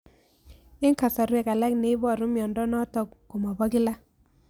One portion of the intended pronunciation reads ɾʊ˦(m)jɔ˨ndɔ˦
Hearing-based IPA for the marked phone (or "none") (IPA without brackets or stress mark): m